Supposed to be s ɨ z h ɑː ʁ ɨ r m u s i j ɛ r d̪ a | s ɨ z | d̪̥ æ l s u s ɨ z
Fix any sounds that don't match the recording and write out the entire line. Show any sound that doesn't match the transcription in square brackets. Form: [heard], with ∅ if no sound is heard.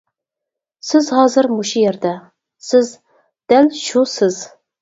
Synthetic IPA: s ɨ z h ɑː [z] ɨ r m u [ʃ] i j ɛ r d̪ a | s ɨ z | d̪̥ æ l [ʃ] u s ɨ z